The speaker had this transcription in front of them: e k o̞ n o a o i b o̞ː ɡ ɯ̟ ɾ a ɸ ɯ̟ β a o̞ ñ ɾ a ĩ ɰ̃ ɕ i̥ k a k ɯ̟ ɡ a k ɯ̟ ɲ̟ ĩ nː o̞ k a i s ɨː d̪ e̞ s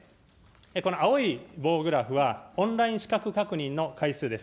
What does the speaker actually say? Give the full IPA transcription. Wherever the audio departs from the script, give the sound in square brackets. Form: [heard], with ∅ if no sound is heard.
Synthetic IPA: e k o̞ n o a o i b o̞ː ɡ ɯ̟ ɾ a ɸ ɯ̟ β a [õ̞] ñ ɾ a ĩ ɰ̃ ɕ i̥ k a k ɯ̟ [k] a k ɯ̟ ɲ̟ ĩ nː o̞ k a i s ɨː d̪ e̞ s